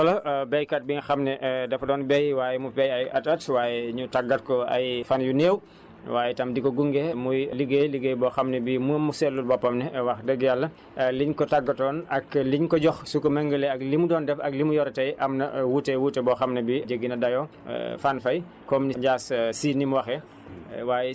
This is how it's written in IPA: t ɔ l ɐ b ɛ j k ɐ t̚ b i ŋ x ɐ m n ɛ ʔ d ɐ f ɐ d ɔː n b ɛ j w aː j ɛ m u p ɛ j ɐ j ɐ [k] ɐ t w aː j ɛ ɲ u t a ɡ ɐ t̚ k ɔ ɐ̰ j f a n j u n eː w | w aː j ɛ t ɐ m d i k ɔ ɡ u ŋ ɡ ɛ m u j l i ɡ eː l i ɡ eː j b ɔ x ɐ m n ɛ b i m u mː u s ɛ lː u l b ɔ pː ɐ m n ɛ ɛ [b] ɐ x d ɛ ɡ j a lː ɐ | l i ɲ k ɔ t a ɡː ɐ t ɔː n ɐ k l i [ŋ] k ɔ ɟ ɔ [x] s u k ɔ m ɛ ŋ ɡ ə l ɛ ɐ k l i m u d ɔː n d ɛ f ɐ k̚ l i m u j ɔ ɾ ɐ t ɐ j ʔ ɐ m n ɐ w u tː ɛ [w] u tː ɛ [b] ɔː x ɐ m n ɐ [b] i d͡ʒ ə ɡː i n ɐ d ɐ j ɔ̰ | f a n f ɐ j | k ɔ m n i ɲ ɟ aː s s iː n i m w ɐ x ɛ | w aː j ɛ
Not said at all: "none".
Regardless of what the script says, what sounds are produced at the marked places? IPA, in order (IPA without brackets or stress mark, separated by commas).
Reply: t, w, ɲ, x, w, b, b